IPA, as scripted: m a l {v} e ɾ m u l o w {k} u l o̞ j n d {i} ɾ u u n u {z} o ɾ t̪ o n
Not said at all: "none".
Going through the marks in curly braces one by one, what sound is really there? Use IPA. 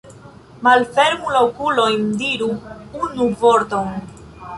f, k, i, v

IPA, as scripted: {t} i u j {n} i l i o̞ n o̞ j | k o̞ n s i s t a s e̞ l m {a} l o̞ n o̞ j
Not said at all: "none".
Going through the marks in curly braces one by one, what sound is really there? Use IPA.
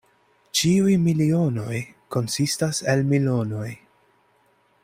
t͡ʃ, m, i

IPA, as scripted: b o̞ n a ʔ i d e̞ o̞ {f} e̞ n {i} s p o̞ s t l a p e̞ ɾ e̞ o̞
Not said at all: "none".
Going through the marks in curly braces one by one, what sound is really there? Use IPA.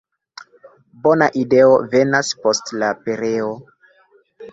v, a

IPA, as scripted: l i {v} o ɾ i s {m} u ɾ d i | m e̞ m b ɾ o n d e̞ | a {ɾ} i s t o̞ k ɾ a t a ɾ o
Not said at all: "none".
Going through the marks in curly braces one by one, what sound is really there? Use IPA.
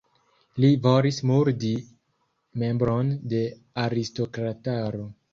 v, m, ɾ

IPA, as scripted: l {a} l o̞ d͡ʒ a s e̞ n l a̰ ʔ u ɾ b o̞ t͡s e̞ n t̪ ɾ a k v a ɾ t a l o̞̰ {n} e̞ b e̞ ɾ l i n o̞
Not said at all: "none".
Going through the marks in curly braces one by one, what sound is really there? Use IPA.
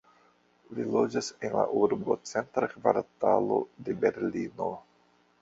i, d

